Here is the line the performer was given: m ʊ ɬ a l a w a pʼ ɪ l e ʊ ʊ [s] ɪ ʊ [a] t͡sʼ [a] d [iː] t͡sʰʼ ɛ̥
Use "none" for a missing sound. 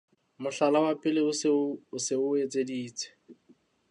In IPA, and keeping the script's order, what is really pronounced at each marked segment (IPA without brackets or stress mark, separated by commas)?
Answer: s, e, e, iː